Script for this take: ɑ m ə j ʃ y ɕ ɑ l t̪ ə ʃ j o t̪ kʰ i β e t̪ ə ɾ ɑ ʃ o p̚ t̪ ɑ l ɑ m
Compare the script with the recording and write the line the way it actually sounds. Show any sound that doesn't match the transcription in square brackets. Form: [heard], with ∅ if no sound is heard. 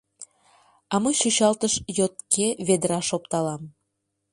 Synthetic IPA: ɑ m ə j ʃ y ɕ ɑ l t̪ ə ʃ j o t̪ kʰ [e] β e [d̪] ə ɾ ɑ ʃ o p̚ t̪ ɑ l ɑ m